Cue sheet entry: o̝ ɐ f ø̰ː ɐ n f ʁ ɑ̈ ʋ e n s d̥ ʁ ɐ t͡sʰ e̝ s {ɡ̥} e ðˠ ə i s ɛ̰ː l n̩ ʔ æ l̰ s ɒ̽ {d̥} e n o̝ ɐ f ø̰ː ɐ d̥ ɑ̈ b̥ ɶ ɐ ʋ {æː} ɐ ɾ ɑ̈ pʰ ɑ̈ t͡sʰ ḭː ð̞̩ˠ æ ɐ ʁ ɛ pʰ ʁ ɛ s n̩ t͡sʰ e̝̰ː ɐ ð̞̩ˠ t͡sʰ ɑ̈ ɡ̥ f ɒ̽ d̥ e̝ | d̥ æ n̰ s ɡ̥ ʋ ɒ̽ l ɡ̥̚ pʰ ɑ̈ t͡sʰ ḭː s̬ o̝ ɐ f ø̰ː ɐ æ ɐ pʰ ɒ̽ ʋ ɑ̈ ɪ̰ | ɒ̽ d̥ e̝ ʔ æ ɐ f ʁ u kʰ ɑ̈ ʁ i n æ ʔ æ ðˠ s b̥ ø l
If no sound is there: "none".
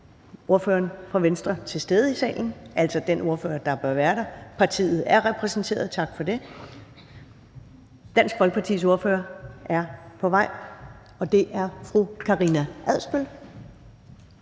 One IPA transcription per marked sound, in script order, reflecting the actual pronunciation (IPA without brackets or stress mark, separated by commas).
d̥, d̥, æː